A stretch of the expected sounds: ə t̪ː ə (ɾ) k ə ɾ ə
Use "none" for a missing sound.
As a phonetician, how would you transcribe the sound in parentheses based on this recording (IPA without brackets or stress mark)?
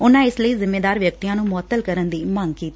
l